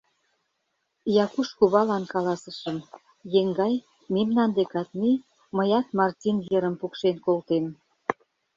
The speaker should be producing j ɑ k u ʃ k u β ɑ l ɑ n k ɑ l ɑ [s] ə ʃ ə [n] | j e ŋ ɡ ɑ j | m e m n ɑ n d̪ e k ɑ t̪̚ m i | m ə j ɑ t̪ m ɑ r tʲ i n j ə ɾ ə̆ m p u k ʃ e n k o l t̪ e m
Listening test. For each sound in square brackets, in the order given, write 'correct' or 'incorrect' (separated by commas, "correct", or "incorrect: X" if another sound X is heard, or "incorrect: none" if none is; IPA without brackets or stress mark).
correct, incorrect: m